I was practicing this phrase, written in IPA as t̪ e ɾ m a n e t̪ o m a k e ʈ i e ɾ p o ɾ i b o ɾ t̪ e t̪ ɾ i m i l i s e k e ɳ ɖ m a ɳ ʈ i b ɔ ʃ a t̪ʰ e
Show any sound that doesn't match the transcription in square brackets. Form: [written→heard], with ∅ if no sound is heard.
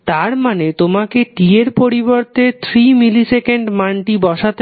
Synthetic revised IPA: t̪ [e→a] ɾ m a n e t̪ o m a k e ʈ i e ɾ p o ɾ i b o ɾ t̪ e [t̪→t̪ʰ] ɾ i m i l i s e k e ɳ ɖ m a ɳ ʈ i b ɔ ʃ a [t̪ʰ→t̪] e